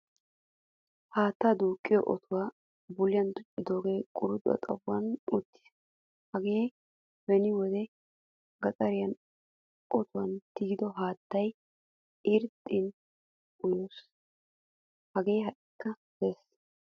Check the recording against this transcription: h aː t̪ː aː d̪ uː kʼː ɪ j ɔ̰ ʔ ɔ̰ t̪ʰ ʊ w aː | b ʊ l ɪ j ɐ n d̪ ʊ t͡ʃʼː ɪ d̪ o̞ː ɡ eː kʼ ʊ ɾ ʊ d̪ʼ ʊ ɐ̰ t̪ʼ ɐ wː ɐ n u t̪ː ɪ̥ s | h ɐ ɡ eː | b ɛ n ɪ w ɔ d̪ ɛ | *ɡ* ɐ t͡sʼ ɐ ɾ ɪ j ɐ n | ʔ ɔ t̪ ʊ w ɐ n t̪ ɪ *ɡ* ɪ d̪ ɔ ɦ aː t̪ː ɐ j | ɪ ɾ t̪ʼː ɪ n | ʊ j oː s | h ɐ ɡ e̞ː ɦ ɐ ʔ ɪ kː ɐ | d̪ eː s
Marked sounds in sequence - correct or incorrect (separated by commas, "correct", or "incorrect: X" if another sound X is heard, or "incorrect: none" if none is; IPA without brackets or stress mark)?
correct, correct